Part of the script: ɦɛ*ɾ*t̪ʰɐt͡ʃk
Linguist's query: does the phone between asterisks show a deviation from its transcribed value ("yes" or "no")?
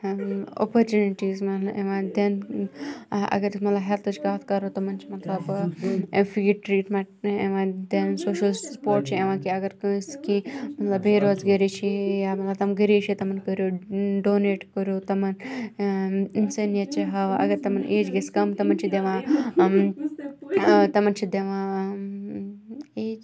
yes